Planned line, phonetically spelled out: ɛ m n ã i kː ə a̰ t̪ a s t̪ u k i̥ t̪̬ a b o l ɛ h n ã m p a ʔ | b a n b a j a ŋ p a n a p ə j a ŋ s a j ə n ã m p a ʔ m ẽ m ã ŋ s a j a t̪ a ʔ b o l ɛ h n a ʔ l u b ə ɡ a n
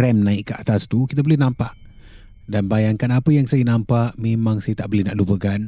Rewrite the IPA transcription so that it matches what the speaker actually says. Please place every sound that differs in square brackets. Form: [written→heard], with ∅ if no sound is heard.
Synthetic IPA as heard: ɛ m n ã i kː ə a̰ t̪ a s t̪ u k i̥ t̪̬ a b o l ɛ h n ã m p a ʔ | [b→d] a n b a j a ŋ [p→k] a n a p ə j a ŋ s a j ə n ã m p a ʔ m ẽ m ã ŋ s a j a t̪ a ʔ b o l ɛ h n a ʔ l u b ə ɡ a n